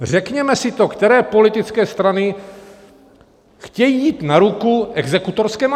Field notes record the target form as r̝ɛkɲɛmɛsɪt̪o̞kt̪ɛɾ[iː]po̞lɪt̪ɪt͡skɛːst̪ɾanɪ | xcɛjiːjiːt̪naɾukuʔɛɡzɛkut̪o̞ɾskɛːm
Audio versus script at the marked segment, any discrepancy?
yes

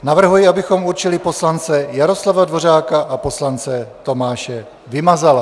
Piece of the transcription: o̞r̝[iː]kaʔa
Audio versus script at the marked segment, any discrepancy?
yes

